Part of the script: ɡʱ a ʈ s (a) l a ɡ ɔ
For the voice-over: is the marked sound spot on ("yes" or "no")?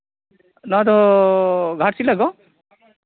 no